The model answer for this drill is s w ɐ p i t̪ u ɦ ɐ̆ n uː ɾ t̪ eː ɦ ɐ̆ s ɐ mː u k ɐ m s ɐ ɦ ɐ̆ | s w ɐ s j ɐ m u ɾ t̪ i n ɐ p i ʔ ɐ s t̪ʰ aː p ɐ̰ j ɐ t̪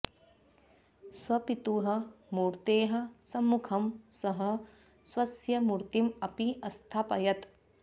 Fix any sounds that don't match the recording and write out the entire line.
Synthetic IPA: s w ɐ p i t̪ u ɦ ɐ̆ m uː ɾ t̪ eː ɦ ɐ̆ s ɐ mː u kʰ ɐ m s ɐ ɦ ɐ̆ | s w ɐ s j ɐ m u ɾ t̪ i m ɐ p i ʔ ɐ s t̪ʰ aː p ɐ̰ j ɐ t̪